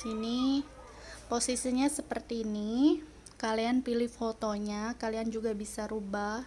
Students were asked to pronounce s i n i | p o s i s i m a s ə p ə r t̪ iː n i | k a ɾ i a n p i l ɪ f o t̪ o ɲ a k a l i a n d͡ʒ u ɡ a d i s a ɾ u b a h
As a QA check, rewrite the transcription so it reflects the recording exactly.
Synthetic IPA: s i n i | p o s i s i ɲ a s ə p ə r t̪ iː n i | k a l i a n p i l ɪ f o t̪ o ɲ a k a l i a n d͡ʒ u ɡ a b i s a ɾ u b a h